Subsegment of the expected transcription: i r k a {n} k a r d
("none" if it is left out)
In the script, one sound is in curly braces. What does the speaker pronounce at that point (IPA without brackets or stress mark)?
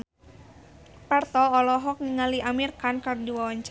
n